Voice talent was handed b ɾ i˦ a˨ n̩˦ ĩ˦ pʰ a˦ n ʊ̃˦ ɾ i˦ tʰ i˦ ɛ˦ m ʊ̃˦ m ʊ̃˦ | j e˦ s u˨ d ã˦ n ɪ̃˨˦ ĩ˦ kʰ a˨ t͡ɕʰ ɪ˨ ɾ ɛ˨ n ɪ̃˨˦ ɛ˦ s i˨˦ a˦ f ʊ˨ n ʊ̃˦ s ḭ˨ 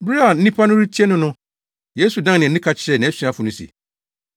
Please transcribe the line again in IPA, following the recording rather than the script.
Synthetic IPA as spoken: b ɾ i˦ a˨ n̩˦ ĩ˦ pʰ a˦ n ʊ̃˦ ɾ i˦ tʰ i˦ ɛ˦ n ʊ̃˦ n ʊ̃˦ | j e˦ s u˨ d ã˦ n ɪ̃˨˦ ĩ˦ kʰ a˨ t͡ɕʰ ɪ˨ ɾ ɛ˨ n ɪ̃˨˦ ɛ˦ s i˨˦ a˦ f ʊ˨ n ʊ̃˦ s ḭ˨

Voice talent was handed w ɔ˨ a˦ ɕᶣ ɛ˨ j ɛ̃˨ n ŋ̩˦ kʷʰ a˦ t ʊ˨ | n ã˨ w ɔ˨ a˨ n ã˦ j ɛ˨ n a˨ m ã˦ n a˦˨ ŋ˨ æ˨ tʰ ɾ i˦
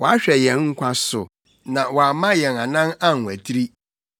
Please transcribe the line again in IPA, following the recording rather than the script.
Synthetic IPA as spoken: w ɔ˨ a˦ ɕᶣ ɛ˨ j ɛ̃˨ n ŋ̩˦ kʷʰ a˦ s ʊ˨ | n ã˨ w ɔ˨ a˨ m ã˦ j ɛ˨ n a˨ n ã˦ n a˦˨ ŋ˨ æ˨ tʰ ɾ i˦

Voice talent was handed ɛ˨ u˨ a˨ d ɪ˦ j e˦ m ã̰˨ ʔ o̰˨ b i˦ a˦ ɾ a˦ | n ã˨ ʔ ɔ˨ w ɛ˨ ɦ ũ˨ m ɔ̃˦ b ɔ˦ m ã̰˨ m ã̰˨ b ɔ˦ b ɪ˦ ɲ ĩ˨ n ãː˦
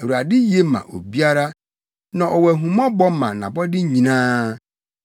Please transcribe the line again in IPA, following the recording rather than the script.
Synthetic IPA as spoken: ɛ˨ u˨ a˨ d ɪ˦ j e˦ m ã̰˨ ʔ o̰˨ b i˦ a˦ ɾ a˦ | n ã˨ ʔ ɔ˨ w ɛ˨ ɦ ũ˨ m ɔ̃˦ b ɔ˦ m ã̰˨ n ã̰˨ b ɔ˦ d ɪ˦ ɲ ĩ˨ n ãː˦

